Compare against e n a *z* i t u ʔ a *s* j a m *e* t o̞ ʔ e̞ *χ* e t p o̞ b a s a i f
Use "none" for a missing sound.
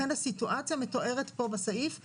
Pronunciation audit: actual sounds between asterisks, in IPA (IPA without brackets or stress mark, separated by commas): s, t͡s, e, ʁ